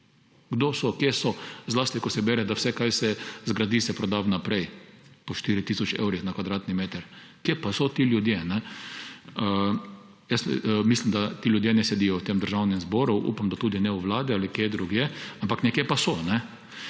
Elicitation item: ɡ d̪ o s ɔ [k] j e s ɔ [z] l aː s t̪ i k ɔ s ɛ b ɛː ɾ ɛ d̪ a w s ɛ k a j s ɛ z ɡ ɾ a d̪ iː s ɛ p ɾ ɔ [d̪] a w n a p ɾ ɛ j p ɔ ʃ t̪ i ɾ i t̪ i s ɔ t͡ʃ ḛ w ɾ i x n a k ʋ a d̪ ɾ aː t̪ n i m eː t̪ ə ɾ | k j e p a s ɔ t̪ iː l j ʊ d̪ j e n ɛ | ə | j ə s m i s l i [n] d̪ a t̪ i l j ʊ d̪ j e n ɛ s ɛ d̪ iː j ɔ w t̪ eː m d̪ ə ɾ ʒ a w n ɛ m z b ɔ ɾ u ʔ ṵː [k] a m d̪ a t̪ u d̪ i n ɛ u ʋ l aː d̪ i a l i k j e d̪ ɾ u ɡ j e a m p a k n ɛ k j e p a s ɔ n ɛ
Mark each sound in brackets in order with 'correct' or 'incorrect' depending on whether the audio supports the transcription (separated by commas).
correct, correct, correct, incorrect, incorrect